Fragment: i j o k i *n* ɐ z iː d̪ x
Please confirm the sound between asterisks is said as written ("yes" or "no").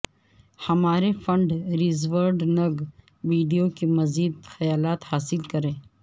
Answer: no